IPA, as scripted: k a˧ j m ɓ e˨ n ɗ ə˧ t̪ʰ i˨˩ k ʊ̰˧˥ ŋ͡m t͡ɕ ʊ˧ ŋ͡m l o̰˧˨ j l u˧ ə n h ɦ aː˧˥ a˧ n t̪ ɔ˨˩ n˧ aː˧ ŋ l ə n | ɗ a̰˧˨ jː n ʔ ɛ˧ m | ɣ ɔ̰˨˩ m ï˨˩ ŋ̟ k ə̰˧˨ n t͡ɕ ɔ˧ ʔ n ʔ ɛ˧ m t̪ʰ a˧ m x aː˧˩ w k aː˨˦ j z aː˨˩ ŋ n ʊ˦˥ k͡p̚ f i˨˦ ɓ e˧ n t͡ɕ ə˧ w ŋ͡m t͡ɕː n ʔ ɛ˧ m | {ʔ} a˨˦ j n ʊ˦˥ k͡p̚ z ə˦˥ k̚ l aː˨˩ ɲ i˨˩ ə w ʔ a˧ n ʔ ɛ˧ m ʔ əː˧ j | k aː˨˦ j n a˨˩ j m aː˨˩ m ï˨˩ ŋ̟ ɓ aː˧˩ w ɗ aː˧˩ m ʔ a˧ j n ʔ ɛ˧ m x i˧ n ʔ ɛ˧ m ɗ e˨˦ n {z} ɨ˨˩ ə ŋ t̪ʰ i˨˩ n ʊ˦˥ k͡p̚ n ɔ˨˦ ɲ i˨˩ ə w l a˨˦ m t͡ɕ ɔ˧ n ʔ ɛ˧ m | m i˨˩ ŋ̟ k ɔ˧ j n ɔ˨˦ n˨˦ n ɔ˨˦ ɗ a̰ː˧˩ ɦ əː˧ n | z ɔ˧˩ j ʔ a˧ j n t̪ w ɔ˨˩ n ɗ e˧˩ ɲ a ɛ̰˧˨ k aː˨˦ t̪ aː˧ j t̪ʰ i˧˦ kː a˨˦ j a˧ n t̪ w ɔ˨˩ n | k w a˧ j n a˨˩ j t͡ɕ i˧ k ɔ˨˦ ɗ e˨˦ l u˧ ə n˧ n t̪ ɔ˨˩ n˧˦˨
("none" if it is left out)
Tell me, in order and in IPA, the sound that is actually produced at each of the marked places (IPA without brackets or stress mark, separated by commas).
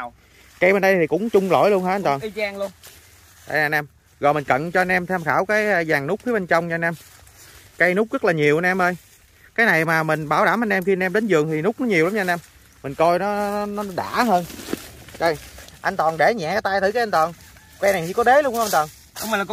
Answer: k, z